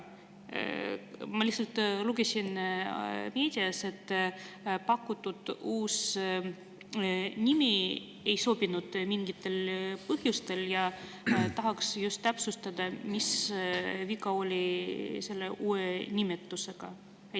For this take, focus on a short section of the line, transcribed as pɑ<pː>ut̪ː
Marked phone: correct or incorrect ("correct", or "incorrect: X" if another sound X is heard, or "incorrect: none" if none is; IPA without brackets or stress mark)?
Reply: incorrect: kː